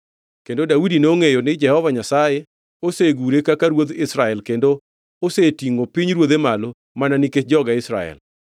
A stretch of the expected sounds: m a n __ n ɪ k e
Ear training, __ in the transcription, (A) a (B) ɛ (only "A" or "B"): A